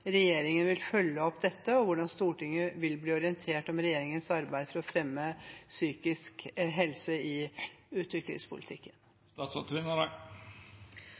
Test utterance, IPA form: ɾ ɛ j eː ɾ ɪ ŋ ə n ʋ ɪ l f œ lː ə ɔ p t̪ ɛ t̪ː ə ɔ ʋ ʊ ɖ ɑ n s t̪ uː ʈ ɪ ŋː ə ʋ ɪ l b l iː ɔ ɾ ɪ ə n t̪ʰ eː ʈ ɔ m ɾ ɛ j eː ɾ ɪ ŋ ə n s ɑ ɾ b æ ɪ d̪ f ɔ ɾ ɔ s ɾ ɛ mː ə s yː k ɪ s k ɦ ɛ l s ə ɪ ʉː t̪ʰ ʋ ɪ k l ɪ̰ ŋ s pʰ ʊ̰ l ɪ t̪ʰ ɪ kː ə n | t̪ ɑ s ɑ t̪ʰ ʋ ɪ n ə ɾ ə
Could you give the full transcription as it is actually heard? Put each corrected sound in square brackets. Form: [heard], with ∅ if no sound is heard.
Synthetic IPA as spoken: ɾ ɛ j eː ɾ ɪ ŋ ə n ʋ ɪ l f œ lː ə ɔ p [d̪] ɛ t̪ː ə ɔ ʋ ʊ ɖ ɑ n s t̪ uː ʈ ɪ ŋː ə ʋ ɪ l b l iː ɔ ɾ ɪ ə n t̪ʰ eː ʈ ɔ m ɾ ɛ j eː ɾ ɪ ŋ ə n s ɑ ɾ b æ ɪ d̪ f ɔ ɾ ɔ [f] ɾ ɛ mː ə s yː k ɪ s k ɦ ɛ l s ə ɪ ʉː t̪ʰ ʋ ɪ k l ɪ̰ ŋ s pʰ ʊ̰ l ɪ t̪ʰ ɪ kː ə n | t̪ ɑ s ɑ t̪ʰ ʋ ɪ n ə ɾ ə

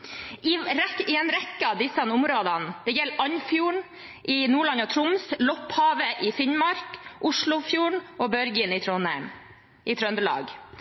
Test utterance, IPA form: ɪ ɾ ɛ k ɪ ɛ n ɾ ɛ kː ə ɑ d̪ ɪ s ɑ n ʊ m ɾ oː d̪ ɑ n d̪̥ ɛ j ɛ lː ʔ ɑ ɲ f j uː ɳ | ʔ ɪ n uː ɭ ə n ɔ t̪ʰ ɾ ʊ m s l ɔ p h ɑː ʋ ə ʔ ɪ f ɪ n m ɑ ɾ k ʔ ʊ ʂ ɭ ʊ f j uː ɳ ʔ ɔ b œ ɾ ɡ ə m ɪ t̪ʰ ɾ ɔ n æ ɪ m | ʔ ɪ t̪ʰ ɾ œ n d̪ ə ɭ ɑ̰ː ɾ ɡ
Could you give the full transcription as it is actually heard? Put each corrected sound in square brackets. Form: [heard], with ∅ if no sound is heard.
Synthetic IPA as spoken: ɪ ɾ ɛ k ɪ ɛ n ɾ ɛ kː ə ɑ d̪ ɪ s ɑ n ʊ m ɾ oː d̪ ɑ n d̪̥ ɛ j ɛ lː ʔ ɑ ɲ f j uː ɳ | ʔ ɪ n uː ɭ [ɑ] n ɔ t̪ʰ ɾ ʊ m s l ɔ p h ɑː ʋ ə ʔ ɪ f ɪ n m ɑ ɾ k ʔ ʊ ʂ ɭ ʊ f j uː ɳ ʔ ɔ b œ ɾ ɡ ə [n] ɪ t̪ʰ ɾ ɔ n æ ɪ m | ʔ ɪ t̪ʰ ɾ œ n d̪ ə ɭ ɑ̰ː [∅] ɡ

